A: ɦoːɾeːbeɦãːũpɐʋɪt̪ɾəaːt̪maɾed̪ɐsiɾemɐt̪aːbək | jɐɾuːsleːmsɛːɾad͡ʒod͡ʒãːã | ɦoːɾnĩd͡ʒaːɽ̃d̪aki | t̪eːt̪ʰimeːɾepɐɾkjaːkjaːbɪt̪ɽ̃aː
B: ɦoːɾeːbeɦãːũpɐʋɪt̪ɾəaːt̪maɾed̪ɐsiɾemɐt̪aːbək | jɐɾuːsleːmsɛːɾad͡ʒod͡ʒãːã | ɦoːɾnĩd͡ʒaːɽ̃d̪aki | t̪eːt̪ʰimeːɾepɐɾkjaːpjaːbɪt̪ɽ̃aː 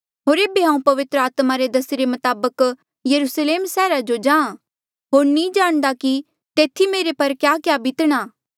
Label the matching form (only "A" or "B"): A